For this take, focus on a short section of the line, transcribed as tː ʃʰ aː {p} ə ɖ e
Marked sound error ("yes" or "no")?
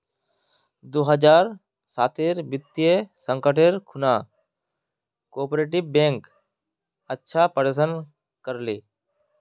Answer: no